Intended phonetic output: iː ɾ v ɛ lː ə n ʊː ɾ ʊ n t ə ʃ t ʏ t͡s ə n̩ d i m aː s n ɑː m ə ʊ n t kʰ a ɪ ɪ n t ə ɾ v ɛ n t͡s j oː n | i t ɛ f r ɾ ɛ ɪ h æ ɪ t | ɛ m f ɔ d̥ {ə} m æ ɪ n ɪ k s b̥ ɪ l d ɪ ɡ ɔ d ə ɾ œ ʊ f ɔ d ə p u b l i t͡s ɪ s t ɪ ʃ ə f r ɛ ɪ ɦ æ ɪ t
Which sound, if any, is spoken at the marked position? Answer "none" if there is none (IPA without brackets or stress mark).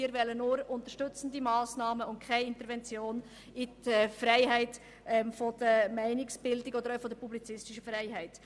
ə